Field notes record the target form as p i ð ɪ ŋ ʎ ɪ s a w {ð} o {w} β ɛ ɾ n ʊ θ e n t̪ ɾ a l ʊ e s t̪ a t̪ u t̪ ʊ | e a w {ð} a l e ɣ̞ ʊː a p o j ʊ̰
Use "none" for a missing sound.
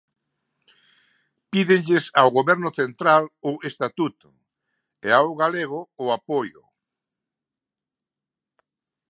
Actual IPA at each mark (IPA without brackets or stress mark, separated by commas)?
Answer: ɣ, none, ɣ